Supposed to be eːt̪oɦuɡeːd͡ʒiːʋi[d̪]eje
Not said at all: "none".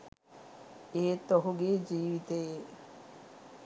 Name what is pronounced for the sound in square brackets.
t̪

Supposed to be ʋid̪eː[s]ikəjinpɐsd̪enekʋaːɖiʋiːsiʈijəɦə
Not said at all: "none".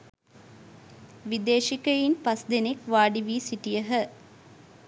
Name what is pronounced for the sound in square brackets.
ʃ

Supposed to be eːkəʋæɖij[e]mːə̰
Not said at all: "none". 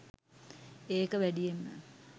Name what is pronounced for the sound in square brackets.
e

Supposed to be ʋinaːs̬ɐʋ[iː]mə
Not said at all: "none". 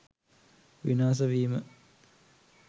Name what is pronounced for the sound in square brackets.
iː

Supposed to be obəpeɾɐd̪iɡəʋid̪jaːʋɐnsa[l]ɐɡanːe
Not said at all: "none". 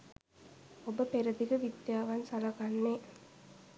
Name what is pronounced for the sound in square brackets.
l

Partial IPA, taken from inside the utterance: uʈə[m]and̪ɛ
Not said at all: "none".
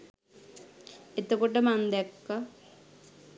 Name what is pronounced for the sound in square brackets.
m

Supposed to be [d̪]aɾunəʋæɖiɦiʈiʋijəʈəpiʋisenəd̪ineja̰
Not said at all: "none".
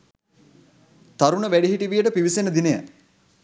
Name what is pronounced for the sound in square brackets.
t̪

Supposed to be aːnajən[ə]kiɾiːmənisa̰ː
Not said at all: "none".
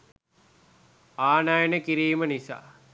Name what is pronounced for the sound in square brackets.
ə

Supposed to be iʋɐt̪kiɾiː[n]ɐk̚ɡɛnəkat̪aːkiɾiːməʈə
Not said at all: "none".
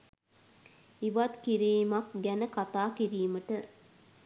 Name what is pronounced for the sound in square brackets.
m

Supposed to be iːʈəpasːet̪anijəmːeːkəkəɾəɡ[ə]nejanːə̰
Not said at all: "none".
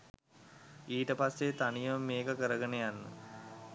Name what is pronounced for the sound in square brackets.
ə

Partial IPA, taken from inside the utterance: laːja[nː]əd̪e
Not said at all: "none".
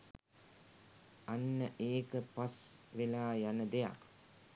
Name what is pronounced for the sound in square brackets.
n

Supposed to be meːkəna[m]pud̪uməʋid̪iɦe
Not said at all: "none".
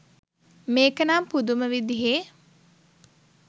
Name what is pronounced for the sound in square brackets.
m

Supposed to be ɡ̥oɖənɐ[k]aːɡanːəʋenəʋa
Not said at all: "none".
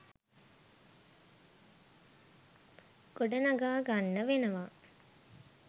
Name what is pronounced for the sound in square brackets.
ɡ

